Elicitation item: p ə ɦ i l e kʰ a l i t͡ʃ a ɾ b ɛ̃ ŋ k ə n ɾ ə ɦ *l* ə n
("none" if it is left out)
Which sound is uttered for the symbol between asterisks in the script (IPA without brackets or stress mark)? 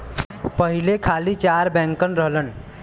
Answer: l